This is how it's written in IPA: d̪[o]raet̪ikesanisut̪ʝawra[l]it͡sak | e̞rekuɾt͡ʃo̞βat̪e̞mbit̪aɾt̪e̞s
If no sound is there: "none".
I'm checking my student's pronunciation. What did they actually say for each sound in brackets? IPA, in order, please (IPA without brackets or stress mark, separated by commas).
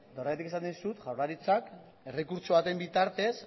o, ɾ